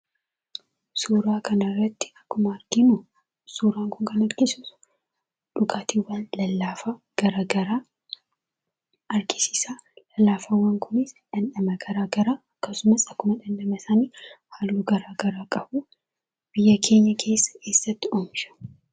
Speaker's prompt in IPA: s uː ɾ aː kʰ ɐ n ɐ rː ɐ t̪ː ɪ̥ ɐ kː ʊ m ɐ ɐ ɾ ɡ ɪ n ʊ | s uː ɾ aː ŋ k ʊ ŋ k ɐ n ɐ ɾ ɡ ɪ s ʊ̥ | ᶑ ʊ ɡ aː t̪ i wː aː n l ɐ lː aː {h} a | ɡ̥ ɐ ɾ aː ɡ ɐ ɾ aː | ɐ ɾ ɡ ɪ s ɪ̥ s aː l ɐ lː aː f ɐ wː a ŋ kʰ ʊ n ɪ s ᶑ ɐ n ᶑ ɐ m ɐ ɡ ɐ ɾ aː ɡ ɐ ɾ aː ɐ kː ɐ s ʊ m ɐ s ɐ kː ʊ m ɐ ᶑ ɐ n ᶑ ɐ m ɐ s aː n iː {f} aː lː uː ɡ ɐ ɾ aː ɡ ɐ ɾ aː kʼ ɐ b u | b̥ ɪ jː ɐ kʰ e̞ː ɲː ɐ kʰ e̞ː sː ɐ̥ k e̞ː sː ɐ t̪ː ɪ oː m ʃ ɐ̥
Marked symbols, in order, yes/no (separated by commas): no, no